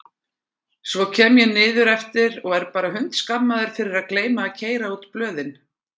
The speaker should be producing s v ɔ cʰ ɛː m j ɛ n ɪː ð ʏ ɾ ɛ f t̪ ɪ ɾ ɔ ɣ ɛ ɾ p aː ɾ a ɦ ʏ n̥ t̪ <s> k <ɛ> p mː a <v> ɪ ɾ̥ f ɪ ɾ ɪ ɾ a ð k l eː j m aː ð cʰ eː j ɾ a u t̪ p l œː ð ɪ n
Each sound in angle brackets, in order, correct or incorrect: correct, incorrect, incorrect

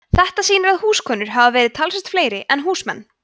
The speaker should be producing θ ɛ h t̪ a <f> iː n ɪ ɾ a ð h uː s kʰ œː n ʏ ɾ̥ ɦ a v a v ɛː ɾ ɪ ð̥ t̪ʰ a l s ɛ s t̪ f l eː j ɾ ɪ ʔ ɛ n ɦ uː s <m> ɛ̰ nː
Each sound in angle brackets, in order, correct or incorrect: incorrect, correct

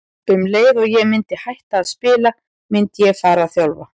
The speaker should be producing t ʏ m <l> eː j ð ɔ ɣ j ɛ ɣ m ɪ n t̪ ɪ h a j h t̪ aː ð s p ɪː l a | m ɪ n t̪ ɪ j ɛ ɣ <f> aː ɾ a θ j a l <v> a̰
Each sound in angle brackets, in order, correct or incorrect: correct, correct, correct

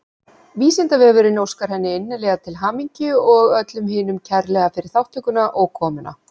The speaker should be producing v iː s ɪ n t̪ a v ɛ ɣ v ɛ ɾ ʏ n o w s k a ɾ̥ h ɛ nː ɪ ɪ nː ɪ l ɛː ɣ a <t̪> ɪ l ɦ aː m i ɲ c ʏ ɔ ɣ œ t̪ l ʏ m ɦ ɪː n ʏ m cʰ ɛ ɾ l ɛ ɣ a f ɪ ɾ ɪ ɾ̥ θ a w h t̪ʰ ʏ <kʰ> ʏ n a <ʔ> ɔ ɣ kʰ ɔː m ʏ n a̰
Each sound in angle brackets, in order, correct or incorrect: incorrect, incorrect, correct

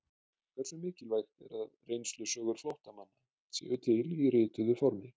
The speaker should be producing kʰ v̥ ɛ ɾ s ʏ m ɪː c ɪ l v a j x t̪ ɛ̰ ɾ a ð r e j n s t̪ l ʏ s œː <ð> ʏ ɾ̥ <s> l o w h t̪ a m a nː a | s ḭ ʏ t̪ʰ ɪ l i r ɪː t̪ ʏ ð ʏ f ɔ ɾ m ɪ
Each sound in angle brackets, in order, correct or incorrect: incorrect, incorrect

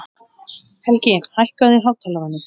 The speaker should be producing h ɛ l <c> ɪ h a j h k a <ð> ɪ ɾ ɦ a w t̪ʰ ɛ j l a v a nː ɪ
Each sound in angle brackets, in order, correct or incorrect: correct, correct

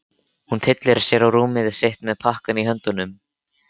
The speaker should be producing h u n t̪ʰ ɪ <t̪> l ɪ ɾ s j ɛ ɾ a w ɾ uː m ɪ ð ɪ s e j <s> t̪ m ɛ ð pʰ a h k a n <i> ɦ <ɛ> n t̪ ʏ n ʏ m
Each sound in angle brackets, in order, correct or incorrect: correct, incorrect, correct, incorrect

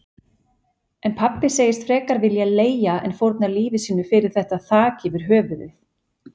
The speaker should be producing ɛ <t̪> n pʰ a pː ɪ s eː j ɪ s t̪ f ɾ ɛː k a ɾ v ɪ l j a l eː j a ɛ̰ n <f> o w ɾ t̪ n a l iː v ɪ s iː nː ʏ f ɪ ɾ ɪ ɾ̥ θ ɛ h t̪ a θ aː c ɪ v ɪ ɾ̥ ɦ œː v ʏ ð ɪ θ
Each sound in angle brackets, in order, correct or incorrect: incorrect, correct

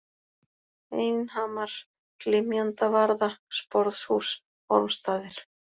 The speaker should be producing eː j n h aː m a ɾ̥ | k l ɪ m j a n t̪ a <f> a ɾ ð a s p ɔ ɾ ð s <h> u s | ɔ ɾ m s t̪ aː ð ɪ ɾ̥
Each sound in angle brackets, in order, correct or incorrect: incorrect, correct

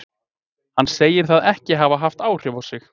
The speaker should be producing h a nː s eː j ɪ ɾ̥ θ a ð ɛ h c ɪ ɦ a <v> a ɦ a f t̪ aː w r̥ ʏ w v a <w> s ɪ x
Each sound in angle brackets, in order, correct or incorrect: correct, correct

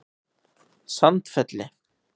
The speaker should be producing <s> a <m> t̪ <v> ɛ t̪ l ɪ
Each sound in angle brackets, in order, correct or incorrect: correct, incorrect, incorrect

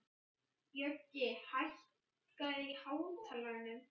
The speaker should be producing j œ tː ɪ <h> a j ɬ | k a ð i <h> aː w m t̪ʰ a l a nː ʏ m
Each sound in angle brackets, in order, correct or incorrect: correct, correct

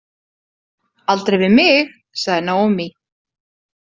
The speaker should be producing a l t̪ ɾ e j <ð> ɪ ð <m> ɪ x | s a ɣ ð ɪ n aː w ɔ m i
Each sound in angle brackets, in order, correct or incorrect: incorrect, correct

